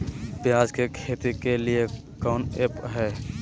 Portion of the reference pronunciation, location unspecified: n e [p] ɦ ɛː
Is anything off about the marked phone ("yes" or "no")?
no